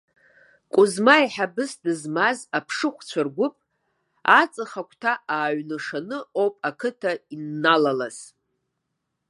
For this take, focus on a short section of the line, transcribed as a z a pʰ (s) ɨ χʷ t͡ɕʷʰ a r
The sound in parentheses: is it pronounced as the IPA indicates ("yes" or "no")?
no